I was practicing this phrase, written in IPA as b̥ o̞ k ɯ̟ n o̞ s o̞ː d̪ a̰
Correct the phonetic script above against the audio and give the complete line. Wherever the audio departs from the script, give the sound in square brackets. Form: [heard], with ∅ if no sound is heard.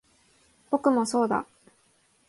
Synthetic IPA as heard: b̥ o̞ k ɯ̟ [m] o̞ s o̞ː d̪ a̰